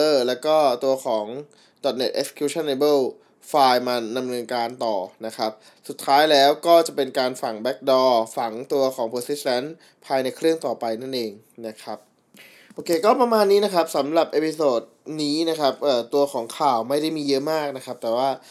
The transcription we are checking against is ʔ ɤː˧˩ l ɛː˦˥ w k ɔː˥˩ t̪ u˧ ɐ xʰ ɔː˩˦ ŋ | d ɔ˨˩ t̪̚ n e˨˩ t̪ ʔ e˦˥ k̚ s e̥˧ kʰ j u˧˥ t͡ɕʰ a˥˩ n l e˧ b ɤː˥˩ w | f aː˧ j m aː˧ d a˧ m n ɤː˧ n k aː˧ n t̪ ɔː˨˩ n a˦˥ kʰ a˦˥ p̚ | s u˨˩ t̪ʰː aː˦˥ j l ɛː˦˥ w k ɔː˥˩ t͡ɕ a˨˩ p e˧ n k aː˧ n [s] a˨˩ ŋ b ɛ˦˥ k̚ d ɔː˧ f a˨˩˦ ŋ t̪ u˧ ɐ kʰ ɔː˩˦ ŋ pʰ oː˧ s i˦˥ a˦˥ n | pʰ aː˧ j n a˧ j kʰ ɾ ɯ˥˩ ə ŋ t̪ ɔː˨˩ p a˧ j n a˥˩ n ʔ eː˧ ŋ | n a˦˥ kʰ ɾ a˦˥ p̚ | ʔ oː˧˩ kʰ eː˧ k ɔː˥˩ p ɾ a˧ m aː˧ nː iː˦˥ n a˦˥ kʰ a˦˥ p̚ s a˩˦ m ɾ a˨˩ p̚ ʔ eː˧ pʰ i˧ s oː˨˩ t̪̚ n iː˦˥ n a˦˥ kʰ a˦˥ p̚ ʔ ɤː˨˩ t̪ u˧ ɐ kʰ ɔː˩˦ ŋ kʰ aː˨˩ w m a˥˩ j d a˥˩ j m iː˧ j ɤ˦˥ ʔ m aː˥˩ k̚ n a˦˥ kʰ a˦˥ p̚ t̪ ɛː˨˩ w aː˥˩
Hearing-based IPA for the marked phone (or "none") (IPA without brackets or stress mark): f